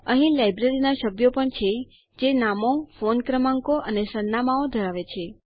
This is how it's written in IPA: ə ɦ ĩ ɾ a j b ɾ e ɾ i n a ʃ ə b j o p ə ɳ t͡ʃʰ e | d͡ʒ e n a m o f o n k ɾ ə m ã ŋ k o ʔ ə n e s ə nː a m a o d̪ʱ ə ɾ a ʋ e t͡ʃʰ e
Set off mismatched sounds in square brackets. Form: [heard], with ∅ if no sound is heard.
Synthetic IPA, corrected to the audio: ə ɦ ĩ [l] a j b ɾ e ɾ i n a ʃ ə b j o p ə ɳ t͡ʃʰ e | d͡ʒ e n a m o f o n k ɾ ə m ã ŋ k o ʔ ə n e s ə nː a m a o d̪ʱ ə ɾ a ʋ e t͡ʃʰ e